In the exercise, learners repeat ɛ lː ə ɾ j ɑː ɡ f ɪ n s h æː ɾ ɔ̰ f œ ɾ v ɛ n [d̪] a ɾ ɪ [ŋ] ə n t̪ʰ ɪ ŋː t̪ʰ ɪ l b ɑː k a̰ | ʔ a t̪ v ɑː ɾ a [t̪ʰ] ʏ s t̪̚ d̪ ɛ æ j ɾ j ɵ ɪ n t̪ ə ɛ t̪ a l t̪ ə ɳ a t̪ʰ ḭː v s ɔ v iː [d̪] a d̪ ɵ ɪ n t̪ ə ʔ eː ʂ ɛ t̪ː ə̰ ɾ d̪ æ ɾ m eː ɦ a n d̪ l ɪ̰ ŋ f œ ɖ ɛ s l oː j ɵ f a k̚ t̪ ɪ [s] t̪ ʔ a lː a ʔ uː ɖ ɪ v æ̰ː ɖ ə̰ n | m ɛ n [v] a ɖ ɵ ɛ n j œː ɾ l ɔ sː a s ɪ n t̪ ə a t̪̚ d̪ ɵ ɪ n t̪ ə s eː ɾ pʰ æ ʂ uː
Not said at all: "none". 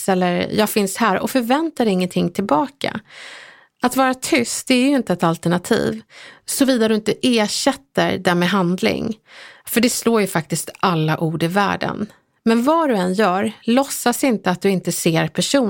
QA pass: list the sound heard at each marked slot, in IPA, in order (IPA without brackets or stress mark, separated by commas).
t̪, ŋː, t̪ʰ, d̪, s, v